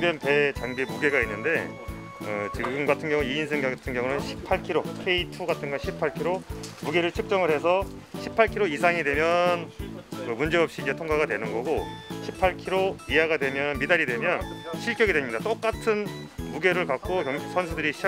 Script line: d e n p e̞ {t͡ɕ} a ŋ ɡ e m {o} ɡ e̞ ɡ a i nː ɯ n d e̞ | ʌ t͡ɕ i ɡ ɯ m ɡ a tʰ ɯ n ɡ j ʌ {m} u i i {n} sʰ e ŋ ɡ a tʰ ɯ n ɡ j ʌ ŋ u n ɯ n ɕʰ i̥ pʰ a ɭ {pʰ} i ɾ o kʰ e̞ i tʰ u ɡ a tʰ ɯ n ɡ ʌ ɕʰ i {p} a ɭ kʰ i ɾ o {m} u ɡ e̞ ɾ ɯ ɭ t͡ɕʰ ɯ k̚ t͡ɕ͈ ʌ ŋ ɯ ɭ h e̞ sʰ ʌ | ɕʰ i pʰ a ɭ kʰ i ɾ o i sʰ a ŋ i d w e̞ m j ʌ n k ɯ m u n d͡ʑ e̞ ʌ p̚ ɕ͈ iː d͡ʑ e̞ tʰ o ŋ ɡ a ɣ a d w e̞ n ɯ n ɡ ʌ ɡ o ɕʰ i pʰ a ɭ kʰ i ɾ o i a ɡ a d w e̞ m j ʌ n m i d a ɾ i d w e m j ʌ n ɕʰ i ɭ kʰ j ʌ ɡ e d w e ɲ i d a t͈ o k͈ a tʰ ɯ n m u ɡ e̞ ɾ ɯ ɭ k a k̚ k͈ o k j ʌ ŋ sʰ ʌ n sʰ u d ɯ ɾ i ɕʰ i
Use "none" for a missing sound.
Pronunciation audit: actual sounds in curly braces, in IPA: t͡ɕ, u, ŋ, n, kʰ, pʰ, m

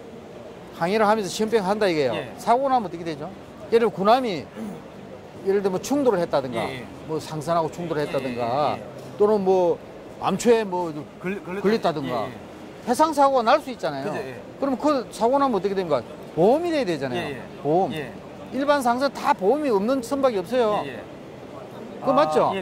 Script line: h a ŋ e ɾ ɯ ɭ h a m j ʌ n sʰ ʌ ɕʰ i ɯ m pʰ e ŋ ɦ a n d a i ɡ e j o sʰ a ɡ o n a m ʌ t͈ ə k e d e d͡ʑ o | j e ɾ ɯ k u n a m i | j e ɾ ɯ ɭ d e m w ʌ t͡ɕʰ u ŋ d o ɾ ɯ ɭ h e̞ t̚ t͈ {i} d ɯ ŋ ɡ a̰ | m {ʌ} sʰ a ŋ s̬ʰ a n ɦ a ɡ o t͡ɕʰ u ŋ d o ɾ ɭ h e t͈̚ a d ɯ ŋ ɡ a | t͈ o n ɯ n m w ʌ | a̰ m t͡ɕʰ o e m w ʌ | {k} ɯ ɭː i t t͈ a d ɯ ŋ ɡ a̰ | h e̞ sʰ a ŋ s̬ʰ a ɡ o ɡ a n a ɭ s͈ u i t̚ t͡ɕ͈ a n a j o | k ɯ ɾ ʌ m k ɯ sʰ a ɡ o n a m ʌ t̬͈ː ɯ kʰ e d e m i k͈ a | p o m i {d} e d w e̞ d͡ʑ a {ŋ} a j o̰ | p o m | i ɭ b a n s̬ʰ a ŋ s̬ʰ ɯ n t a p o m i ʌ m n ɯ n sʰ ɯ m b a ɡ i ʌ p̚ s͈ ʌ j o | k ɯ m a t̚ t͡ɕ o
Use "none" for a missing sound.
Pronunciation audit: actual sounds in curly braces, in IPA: a, ʌ, k, d, n

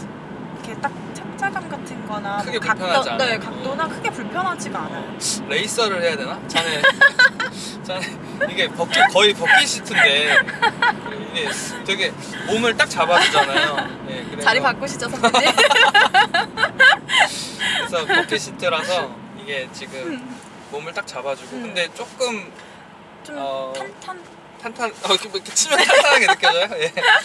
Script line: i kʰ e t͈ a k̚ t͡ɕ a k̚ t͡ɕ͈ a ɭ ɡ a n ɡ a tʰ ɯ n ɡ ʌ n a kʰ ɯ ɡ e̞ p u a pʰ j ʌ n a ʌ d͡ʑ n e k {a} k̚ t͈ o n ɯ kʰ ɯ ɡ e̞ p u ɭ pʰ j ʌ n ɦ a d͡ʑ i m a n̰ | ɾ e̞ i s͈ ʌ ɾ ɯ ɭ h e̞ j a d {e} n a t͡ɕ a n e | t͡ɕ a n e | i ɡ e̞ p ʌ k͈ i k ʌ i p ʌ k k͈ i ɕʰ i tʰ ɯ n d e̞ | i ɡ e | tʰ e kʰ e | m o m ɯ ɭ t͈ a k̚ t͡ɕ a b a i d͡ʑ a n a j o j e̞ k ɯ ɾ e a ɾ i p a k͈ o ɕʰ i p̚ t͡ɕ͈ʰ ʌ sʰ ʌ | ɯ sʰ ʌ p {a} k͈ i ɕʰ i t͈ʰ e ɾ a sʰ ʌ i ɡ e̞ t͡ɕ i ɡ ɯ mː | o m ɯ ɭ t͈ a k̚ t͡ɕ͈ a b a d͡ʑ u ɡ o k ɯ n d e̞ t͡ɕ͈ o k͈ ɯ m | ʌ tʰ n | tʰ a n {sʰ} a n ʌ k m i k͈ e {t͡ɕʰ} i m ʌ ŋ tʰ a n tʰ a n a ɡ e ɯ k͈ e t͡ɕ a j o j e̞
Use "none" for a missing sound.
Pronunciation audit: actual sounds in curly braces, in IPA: a, e, ʌ, tʰ, t͡ɕʰ

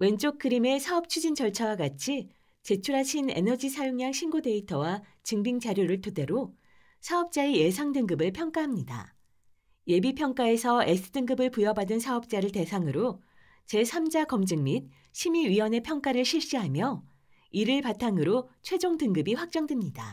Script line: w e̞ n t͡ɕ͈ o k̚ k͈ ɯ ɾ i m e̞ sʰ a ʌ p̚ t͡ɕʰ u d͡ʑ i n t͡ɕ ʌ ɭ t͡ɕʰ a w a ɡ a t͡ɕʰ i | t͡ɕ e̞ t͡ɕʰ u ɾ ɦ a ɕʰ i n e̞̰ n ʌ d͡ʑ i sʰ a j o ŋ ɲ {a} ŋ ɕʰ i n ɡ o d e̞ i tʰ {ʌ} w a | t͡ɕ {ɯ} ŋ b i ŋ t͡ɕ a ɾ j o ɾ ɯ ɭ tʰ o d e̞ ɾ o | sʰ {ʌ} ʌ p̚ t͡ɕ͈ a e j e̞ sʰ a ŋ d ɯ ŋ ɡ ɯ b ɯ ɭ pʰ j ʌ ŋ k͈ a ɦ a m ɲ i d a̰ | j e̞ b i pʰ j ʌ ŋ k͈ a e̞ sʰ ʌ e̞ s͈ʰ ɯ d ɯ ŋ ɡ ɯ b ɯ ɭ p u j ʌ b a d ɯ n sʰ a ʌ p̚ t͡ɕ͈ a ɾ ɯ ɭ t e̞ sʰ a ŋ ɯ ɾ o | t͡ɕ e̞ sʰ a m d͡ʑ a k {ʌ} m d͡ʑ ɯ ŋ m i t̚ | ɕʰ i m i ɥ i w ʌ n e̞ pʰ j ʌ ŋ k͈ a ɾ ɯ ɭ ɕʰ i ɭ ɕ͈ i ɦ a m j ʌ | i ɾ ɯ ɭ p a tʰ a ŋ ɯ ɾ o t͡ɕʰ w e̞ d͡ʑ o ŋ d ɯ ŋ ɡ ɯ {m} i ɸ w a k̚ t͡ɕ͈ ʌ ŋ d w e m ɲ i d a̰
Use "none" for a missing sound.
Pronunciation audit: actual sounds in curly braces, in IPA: a, ʌ, ɯ, a, ʌ, b

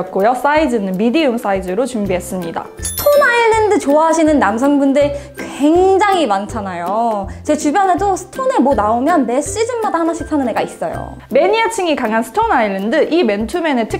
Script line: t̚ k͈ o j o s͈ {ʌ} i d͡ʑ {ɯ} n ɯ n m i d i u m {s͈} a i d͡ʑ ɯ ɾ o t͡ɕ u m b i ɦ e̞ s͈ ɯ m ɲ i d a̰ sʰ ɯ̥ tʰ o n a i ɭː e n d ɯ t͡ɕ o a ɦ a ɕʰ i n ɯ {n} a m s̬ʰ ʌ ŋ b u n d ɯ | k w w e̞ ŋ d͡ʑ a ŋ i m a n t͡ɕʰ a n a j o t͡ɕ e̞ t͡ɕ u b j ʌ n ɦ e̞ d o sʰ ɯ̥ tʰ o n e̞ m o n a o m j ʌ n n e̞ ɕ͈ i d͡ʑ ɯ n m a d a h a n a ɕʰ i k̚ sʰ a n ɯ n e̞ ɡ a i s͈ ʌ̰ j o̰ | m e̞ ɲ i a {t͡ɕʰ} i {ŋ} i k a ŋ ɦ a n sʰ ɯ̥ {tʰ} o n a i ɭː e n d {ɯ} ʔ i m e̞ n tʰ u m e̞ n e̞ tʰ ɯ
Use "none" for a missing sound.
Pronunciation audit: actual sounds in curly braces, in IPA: a, ɯ, s͈, nː, t͡ɕʰ, ŋ, tʰ, ɯ

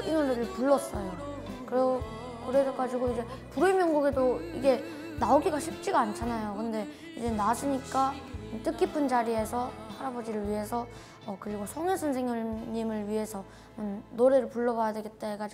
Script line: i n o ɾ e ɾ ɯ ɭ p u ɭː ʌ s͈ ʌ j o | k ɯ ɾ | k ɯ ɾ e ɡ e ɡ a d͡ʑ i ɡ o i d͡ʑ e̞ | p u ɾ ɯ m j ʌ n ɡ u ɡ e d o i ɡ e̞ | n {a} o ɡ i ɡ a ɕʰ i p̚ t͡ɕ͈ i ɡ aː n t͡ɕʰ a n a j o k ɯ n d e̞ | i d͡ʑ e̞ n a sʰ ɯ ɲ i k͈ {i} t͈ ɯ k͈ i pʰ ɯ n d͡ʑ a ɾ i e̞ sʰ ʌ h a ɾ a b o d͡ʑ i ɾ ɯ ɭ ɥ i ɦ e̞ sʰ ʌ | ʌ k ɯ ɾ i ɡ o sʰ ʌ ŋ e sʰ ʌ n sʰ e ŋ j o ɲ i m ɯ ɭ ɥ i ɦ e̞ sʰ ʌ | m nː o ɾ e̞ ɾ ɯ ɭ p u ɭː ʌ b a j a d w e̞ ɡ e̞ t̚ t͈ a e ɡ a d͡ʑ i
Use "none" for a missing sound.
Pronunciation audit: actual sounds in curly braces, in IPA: a, a

